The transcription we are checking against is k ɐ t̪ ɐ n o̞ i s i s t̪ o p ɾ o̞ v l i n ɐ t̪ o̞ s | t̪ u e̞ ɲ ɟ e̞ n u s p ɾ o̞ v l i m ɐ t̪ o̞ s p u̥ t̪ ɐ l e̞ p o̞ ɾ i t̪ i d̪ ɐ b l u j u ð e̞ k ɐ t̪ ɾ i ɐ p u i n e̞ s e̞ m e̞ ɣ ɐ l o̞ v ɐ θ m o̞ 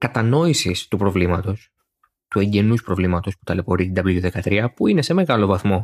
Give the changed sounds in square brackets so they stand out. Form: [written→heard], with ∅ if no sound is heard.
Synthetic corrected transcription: k ɐ t̪ ɐ n o̞ i s i s t̪ [o→u] p ɾ o̞ v l i [n→m] ɐ t̪ o̞ s | t̪ u e̞ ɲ ɟ e̞ n u s p ɾ o̞ v l i m ɐ t̪ o̞ s p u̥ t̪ ɐ l e̞ p o̞ ɾ i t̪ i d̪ ɐ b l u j u ð e̞ k ɐ t̪ ɾ i ɐ p u i n e̞ s e̞ m e̞ ɣ ɐ l o̞ v ɐ θ m o̞